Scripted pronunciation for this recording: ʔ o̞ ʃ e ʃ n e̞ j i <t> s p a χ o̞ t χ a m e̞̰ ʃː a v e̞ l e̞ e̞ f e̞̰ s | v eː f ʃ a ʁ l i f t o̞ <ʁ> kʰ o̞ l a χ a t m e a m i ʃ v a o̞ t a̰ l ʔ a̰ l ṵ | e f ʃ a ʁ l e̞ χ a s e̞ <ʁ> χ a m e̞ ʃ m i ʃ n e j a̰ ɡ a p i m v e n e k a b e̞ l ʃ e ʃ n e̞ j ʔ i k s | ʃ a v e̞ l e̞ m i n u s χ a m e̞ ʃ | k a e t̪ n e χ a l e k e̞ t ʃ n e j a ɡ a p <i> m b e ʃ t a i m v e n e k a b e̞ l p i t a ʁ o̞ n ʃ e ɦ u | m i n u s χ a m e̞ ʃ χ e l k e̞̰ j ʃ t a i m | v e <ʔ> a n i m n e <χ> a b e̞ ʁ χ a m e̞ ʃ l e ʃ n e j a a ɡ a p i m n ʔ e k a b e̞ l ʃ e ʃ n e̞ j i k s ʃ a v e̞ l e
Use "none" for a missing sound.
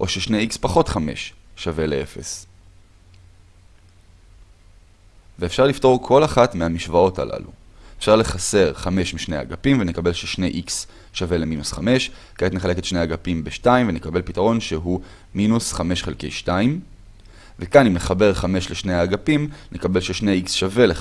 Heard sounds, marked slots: k, ʁ, ʁ, i, k, χ

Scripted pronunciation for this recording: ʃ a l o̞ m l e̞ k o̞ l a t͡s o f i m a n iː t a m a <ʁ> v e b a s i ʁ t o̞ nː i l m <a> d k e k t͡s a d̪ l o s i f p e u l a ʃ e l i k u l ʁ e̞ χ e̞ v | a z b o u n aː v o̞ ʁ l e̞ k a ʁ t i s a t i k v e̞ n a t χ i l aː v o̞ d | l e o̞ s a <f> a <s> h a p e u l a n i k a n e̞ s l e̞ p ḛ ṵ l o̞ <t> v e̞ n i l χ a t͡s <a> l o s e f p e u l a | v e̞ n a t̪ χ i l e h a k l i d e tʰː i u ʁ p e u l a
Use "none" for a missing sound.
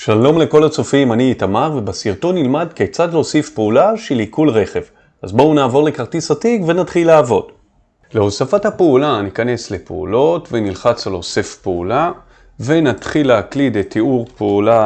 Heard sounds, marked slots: ʁ, a, f, t, t, a

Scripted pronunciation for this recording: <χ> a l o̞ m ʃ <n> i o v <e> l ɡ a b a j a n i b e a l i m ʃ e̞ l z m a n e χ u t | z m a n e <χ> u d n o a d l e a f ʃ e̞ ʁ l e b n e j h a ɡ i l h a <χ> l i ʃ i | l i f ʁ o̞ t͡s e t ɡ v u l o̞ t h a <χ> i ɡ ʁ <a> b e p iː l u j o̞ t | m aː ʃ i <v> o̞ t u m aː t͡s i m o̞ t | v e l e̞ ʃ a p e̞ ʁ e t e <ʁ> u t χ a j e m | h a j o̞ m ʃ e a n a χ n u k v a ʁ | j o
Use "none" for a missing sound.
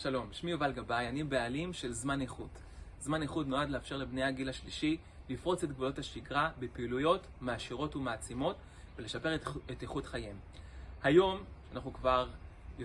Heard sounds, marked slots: ʃ, m, a, χ, ʃ, ʃ, a, ʁ, χ

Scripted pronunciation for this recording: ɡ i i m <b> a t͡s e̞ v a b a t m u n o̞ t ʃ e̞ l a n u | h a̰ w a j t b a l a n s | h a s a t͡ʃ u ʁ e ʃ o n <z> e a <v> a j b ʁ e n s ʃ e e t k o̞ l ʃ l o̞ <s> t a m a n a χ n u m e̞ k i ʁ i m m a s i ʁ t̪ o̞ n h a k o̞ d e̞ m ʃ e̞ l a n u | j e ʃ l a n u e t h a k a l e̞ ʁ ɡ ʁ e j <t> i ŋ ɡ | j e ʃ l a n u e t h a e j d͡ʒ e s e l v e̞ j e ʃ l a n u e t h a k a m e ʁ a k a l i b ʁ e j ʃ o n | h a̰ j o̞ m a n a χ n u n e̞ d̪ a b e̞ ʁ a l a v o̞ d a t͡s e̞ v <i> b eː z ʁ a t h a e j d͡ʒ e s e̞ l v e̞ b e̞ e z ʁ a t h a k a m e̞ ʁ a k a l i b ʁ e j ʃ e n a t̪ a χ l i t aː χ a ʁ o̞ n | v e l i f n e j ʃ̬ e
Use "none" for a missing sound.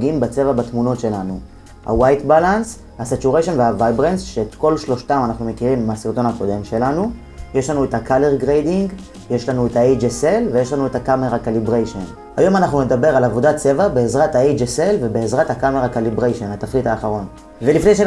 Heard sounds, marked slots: b, v, v, ʃ, d, a

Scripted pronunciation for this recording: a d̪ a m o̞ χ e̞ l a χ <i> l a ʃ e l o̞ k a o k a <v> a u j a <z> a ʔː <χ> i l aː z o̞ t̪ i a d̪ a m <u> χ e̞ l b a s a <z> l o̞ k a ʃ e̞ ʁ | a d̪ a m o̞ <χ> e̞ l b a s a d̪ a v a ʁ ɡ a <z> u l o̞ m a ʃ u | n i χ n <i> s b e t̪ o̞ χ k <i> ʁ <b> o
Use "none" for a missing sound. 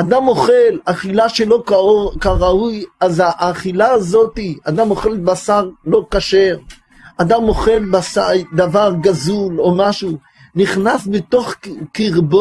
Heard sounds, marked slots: i, ʁ, z, χ, o, ʁ, χ, z, a, i, b

